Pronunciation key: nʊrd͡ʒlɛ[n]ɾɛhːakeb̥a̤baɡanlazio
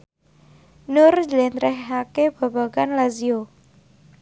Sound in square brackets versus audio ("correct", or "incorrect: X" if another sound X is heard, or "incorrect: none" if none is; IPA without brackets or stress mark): correct